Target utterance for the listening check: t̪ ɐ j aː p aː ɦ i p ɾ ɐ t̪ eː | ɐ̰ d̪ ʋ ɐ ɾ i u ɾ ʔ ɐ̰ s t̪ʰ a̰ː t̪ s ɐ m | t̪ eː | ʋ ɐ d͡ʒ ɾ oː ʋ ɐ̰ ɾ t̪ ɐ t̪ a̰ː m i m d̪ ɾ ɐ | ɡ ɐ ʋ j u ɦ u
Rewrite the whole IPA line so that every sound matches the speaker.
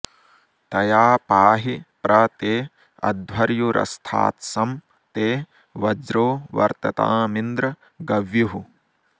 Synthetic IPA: t̪ ɐ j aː p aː ɦ i p ɾ ɐ t̪ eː | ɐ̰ d̪ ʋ ɐ ɾ j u ɾ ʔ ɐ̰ s t̪ʰ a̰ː t̪ s ɐ m | t̪ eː | ʋ ɐ d͡ʒ ɾ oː ʋ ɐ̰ ɾ t̪ ɐ t̪ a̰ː m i n d̪ ɾ ɐ | ɡ ɐ ʋ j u ɦ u